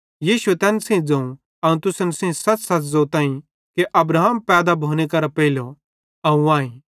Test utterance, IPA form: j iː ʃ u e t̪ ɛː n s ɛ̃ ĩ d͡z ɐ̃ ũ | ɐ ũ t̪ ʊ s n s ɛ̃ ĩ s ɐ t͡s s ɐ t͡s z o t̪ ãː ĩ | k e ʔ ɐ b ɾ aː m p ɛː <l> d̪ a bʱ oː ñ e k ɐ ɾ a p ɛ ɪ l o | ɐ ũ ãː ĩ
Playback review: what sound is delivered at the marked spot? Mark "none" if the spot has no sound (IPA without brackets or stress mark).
none